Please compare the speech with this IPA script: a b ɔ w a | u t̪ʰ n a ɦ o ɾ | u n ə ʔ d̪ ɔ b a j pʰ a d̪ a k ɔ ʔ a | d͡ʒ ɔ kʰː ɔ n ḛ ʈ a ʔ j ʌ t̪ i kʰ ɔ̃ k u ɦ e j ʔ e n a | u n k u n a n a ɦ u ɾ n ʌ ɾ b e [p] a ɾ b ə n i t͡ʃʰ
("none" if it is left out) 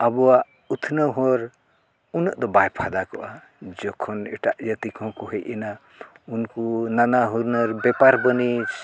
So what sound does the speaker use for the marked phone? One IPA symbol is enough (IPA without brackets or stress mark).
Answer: p